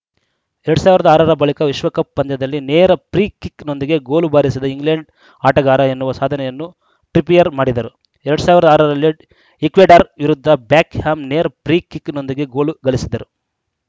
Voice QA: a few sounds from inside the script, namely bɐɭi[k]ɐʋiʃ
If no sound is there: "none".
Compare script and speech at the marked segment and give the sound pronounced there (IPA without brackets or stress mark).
k